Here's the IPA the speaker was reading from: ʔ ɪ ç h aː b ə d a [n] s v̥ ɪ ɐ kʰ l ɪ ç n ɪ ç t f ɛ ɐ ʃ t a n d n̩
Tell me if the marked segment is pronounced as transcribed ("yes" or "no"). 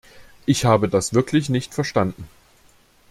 no